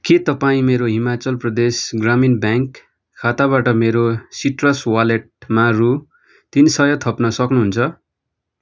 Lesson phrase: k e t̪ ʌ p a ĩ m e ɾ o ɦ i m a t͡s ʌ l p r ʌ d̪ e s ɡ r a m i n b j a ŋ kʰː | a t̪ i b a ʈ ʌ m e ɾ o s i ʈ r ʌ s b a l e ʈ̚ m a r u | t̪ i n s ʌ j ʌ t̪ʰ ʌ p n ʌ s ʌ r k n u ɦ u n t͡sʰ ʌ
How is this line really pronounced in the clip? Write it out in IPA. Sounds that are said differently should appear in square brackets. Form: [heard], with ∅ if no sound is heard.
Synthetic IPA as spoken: k e t̪ ʌ p a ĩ m e ɾ o ɦ i m a t͡s ʌ l p r ʌ d̪ e s ɡ r a m i n b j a ŋ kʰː | a t̪ [a] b a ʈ ʌ m e ɾ o s i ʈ r ʌ s [w] a l e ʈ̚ m a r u | t̪ i n s ʌ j ʌ t̪ʰ ʌ p n ʌ s ʌ [∅] k n u ɦ u n t͡sʰ ʌ